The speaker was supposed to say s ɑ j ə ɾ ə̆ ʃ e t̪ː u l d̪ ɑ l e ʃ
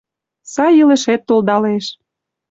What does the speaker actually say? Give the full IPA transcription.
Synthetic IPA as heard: s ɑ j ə l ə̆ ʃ e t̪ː o l d̪ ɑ l e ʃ